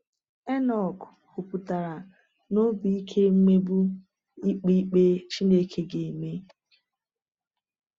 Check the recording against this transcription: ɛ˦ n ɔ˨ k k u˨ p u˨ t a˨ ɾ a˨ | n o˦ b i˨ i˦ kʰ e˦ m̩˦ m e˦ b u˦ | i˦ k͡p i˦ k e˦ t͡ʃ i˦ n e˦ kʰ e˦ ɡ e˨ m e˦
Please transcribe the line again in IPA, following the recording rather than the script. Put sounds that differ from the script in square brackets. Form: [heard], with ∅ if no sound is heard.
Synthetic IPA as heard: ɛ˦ n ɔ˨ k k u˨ p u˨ t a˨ ɾ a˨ | n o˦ b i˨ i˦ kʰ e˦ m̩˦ m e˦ b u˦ | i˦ k͡p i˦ [k͡p] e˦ t͡ʃ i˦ n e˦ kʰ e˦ ɡ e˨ m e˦